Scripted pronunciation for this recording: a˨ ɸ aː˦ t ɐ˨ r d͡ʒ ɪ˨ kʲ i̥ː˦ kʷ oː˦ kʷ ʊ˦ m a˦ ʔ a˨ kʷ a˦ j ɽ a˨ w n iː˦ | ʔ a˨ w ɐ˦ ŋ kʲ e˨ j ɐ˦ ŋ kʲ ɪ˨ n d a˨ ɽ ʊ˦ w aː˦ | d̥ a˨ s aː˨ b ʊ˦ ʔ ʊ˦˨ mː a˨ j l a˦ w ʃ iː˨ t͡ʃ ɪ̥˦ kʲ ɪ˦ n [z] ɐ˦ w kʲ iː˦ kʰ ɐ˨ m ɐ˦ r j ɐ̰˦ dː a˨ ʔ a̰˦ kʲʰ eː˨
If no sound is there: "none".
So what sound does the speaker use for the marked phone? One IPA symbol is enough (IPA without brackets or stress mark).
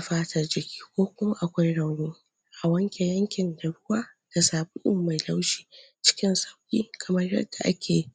s